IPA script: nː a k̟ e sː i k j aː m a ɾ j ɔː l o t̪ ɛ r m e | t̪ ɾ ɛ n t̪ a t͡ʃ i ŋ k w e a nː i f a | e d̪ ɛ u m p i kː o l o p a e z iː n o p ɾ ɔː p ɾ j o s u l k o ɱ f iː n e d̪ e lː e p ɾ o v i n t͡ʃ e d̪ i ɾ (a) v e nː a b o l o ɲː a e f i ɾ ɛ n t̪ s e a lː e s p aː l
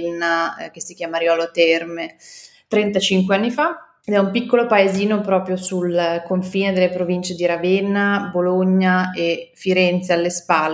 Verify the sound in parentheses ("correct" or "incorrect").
correct